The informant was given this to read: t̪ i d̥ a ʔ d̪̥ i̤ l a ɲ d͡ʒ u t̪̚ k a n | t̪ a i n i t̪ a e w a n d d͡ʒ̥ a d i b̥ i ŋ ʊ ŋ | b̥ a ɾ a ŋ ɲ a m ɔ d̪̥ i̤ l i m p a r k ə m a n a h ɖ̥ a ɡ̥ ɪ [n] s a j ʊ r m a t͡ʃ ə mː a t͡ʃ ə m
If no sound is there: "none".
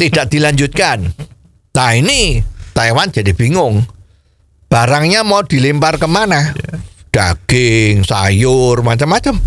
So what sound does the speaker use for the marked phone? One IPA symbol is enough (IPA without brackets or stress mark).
ŋ